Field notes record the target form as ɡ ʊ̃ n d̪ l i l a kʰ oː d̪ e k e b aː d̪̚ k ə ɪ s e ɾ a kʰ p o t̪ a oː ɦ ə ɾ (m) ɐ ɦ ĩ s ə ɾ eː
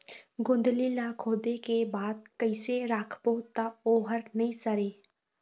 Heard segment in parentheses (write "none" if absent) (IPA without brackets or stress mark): n